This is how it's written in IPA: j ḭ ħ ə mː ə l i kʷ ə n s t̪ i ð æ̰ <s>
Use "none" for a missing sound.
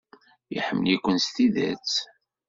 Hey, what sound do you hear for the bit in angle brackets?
t͡s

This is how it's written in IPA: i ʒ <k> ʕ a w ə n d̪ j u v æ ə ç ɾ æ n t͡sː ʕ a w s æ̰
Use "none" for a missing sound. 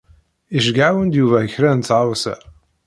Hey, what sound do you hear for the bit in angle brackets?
ɡ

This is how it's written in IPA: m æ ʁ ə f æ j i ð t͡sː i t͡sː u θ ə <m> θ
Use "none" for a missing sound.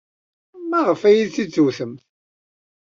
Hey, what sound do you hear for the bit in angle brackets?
m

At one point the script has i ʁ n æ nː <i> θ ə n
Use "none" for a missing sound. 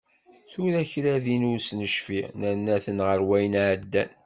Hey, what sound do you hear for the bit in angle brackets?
æ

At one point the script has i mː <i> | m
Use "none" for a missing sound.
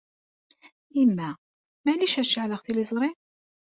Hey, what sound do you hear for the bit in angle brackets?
æ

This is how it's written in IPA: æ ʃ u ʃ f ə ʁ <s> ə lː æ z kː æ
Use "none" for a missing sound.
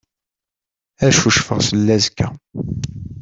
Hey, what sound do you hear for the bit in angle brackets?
s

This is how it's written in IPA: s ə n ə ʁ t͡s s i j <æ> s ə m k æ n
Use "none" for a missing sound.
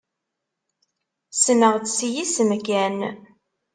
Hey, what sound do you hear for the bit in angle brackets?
i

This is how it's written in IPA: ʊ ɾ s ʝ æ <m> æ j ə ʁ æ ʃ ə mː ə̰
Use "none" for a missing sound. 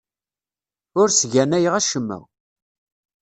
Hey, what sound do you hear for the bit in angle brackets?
n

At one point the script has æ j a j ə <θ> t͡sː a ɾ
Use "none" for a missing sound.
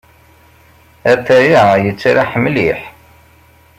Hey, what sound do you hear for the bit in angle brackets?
none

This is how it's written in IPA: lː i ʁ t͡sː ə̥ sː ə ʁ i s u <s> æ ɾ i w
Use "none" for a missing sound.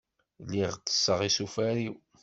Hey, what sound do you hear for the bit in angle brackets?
f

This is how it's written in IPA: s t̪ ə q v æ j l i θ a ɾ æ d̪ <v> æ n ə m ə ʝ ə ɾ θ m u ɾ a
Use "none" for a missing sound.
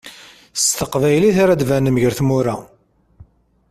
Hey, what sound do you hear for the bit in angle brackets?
v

